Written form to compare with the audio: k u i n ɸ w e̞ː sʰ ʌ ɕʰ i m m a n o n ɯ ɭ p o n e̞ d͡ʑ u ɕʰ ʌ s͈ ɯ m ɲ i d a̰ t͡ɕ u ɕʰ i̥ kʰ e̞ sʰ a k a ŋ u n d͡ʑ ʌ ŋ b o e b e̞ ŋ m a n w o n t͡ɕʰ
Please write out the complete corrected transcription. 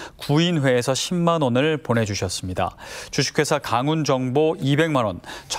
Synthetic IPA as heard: k u i n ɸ w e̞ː sʰ ʌ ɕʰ i m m a n o n ɯ ɭ p o n e̞ d͡ʑ u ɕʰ ʌ s͈ ɯ m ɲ i d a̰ t͡ɕ u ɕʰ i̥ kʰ e̞ sʰ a k a ŋ u n d͡ʑ ʌ ŋ b o i b e̞ ŋ m a n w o n t͡ɕʰ